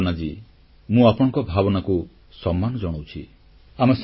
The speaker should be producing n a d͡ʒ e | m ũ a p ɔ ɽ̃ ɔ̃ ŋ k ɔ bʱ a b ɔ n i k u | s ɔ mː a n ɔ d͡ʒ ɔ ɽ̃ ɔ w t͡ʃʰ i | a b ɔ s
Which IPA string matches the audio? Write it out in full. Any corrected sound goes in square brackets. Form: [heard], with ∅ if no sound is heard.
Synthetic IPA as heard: n a d͡ʒ [i] | m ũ a p ɔ ɽ̃ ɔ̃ ŋ k ɔ bʱ a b ɔ n [a] k u | s ɔ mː a n ɔ d͡ʒ ɔ ɽ̃ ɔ w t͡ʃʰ i | a [m] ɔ s